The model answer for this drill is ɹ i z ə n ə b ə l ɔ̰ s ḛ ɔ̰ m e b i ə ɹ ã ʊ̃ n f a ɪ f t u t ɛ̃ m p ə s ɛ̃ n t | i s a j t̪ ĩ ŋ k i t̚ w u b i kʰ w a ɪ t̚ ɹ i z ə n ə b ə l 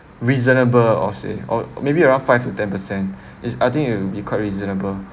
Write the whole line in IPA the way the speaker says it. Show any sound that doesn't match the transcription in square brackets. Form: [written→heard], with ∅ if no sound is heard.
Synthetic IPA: ɹ i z ə n ə b ə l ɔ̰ s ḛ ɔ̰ m e b i ə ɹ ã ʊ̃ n f a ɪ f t u t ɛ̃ [m→n] p ə s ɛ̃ n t | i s a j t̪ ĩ ŋ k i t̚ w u b i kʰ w a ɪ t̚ ɹ i z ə n ə b ə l